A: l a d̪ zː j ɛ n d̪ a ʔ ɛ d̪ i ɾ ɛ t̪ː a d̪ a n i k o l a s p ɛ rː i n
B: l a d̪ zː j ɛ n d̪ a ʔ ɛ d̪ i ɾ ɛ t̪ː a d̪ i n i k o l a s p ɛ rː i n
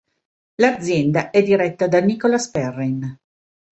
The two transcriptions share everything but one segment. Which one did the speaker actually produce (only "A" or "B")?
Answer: A